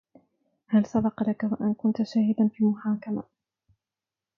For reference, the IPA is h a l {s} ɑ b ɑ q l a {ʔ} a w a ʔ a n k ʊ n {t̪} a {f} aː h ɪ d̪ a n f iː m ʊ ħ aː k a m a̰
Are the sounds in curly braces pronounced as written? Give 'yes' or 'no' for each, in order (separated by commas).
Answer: yes, no, yes, no